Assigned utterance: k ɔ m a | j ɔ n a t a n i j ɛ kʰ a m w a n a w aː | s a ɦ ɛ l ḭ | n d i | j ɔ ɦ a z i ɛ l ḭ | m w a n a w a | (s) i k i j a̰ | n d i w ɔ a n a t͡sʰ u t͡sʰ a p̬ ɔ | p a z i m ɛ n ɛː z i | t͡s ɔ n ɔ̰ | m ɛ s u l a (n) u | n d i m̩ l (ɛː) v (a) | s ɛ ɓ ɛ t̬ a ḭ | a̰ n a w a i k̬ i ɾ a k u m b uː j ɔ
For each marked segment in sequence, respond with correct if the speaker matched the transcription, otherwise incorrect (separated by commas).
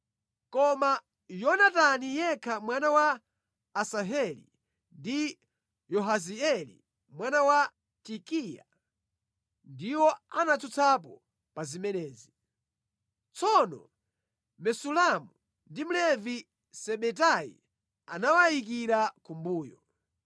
incorrect, incorrect, incorrect, incorrect